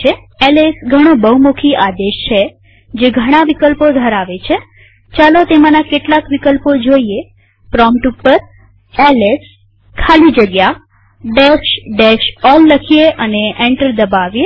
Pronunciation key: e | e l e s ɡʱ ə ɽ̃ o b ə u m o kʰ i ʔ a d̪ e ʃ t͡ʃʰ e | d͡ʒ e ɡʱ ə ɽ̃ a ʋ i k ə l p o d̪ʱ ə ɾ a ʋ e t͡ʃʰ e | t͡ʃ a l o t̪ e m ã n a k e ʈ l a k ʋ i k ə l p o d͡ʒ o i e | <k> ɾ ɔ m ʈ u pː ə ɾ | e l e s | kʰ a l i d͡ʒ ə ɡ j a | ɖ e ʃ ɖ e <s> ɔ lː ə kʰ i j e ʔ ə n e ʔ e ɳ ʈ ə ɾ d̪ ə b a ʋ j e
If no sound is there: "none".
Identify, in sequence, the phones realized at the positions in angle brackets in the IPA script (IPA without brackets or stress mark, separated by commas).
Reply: p, ʃ